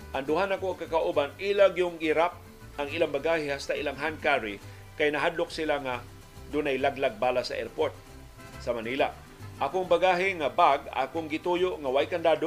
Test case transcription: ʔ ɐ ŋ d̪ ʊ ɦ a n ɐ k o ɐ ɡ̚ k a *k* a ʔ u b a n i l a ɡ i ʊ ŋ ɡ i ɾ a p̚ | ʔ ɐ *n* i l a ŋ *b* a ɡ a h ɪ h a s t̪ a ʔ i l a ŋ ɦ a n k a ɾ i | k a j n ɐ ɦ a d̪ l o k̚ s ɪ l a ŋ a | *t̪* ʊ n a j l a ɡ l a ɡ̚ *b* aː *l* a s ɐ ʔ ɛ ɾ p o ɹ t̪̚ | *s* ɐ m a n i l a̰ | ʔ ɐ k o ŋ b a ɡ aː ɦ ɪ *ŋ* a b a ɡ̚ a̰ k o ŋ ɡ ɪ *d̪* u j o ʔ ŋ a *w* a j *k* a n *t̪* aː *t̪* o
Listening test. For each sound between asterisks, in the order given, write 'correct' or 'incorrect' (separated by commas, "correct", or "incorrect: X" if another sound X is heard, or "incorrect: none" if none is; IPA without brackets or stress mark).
correct, incorrect: ŋ, correct, incorrect: d̪, correct, correct, correct, correct, incorrect: t̪, correct, correct, incorrect: d̪, incorrect: d̪